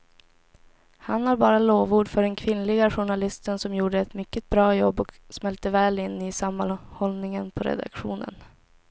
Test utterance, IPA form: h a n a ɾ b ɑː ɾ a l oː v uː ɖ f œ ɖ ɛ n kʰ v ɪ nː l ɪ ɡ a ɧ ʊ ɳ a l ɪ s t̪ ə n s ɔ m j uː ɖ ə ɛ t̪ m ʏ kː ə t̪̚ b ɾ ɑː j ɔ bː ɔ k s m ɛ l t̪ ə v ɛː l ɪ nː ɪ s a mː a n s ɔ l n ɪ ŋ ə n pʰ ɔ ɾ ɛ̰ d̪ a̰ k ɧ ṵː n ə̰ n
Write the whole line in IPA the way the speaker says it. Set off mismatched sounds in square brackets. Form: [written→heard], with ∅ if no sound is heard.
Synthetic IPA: h a n a ɾ b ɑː ɾ a l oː v uː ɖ f œ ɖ ɛ n kʰ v ɪ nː l ɪ ɡ a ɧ ʊ ɳ a l ɪ s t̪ ə n s ɔ m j uː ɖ ə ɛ t̪ m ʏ kː ə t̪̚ b ɾ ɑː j ɔ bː ɔ k s m ɛ l t̪ ə v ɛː l ɪ nː ɪ s a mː a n [s→h] ɔ l n ɪ ŋ ə n pʰ ɔ ɾ ɛ̰ d̪ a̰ k ɧ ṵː n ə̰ n